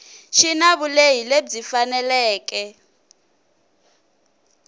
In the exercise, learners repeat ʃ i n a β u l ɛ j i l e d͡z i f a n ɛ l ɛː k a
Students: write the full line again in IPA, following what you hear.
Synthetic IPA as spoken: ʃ i n a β u l e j i l e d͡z i f a n ɛ l ɛː k ɛ